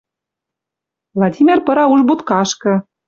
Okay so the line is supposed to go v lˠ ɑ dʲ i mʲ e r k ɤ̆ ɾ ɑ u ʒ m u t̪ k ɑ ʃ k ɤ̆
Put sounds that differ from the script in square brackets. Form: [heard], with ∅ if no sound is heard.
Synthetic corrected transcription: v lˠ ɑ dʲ i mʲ e r [p] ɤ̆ ɾ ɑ u ʒ [b] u t̪ k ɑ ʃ k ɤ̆